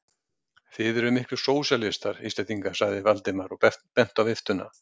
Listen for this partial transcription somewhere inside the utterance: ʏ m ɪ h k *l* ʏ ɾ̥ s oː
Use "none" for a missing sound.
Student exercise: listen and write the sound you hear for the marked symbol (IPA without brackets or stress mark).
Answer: l